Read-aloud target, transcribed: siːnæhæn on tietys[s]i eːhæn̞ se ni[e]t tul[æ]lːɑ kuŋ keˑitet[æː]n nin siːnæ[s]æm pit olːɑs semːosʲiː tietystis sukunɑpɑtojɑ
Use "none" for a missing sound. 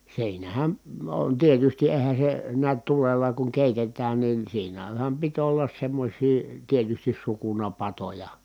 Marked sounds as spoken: t, æ, e, æː, h

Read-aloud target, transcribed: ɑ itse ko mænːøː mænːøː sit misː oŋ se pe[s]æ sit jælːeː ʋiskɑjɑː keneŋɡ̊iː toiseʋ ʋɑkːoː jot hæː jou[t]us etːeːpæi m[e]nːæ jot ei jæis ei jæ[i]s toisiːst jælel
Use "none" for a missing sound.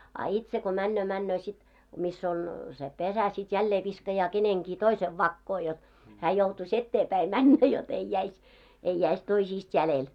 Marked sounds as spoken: s, t, æ, i

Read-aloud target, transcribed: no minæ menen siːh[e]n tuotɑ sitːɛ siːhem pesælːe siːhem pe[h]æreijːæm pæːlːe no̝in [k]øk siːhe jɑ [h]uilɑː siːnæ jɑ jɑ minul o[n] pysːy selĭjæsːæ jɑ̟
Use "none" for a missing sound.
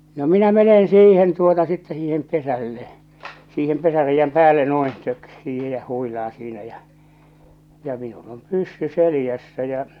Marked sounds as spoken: e, s, t, h, m

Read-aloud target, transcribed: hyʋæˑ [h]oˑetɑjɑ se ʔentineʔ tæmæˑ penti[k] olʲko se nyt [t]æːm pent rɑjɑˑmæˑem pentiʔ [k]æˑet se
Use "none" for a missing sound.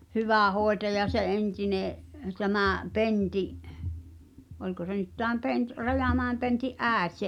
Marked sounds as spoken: h, ʔ, t, ʔ

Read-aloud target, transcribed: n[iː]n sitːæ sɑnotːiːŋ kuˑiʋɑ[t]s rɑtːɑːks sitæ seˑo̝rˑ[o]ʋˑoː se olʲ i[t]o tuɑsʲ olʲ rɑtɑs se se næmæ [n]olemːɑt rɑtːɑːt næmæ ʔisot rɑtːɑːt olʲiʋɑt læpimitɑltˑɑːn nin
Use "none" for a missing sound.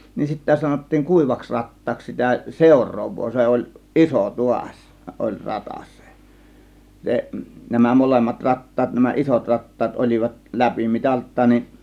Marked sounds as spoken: i, k, oː, s, m

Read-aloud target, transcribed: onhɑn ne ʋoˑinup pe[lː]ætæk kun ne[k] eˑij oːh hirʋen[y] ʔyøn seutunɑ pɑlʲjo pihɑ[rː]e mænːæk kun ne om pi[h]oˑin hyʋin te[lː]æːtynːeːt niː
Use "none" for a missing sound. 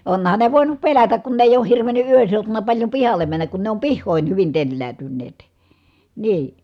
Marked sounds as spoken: l, none, y, lː, hː, lː

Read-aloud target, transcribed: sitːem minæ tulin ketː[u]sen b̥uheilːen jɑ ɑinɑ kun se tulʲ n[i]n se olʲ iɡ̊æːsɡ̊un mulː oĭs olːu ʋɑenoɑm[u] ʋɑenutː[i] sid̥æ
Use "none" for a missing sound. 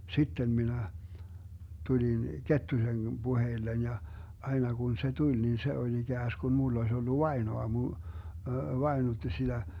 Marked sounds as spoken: u, i, u, i

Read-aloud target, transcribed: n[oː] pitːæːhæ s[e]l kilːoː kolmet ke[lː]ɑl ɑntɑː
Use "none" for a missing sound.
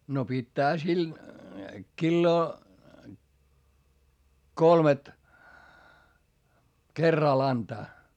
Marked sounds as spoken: o, i, rː

